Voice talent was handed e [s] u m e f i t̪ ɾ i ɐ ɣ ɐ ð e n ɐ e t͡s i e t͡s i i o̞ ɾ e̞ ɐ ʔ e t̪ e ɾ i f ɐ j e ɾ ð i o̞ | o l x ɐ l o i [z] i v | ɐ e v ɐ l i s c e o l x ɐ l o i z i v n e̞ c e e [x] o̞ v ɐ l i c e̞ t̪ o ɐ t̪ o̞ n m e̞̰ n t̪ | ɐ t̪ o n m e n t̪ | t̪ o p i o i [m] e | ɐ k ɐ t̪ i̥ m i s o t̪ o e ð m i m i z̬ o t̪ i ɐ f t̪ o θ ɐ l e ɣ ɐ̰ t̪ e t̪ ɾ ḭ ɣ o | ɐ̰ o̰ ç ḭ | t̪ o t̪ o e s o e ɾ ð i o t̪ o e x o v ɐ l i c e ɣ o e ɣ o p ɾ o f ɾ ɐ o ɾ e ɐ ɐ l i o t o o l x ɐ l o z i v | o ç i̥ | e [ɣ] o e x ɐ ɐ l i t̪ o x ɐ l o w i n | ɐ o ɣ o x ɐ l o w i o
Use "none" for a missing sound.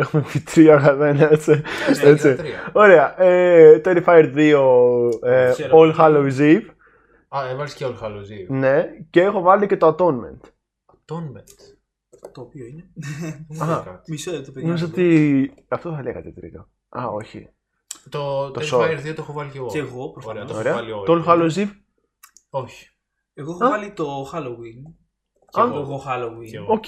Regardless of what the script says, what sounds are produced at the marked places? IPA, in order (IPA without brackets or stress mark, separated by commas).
x, z, x, n, ɣ